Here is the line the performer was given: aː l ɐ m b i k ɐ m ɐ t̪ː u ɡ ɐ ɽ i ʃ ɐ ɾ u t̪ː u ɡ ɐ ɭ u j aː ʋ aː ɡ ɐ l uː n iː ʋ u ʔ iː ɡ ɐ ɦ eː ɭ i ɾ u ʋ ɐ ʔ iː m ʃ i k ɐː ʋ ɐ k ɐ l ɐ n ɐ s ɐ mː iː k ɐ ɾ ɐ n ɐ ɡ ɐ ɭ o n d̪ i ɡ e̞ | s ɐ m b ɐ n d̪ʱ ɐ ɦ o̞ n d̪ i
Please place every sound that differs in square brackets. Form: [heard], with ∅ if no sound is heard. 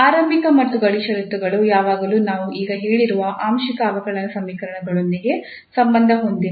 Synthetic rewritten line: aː [ɾ] ɐ m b i k ɐ m ɐ t̪ː u ɡ ɐ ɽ i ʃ ɐ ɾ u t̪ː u ɡ ɐ ɭ u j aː ʋ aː ɡ ɐ l uː n [aː] ʋ u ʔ iː ɡ ɐ ɦ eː ɭ i ɾ u ʋ ɐ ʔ [aː] m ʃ i k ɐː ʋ ɐ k ɐ [ɭ] ɐ n ɐ s ɐ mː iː k ɐ ɾ ɐ [ɳ] ɐ ɡ ɐ ɭ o n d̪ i ɡ e̞ | s ɐ m b ɐ n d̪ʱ ɐ ɦ o̞ n d̪ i